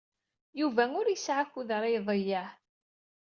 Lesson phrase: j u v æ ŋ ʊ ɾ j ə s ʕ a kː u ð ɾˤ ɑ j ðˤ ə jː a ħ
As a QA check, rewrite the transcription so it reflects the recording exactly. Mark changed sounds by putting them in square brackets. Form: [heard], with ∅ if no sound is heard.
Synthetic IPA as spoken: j u v æ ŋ ʊ ɾ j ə s ʕ a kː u ð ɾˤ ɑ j ðˤ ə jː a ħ